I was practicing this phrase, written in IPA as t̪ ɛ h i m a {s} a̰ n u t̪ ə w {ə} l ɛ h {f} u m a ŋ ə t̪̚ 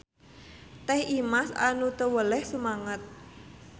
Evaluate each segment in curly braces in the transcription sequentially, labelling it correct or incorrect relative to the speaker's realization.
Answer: correct, correct, incorrect: s

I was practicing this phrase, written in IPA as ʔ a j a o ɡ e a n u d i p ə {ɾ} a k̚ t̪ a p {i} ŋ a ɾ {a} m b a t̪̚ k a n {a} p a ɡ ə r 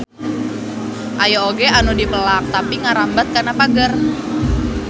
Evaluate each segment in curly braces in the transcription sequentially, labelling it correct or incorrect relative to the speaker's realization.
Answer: incorrect: l, correct, correct, correct

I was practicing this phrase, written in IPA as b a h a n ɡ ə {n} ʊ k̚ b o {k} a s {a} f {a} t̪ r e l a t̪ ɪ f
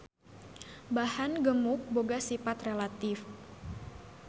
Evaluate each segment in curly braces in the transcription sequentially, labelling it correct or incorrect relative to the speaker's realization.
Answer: incorrect: m, incorrect: ɡ, incorrect: i, correct

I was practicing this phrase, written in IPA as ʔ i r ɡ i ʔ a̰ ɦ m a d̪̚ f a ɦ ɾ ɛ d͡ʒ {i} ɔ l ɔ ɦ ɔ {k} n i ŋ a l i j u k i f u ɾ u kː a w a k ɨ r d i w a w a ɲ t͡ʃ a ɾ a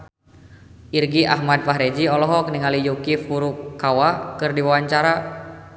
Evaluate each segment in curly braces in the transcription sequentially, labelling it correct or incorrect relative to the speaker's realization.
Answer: correct, correct

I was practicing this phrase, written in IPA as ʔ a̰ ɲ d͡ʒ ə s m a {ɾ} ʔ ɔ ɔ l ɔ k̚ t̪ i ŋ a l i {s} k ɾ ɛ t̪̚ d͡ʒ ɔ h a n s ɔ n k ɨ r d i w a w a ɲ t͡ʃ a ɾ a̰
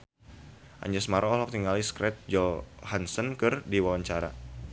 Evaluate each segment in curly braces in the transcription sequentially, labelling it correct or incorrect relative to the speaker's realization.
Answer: correct, correct

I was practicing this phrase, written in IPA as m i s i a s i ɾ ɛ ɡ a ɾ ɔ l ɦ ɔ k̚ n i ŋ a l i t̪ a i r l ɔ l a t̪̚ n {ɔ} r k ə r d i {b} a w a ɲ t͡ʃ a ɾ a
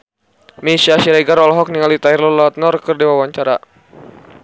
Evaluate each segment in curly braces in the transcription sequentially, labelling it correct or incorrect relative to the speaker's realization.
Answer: correct, incorrect: w

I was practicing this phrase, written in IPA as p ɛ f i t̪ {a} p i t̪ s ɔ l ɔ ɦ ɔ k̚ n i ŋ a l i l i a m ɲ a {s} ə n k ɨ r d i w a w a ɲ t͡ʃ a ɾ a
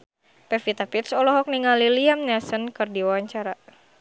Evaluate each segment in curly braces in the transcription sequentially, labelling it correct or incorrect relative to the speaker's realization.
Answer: correct, correct

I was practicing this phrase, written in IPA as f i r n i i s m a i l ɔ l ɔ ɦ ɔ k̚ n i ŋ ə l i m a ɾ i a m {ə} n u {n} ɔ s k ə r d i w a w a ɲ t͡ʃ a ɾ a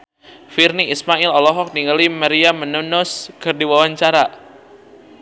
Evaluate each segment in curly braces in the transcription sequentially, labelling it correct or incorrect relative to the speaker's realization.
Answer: correct, correct

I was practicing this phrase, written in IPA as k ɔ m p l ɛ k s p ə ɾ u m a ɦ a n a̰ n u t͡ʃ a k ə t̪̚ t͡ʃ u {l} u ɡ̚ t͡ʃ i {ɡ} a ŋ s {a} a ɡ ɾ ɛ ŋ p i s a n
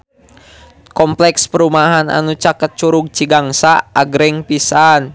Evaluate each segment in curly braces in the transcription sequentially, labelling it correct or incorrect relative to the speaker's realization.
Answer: incorrect: ɾ, correct, correct

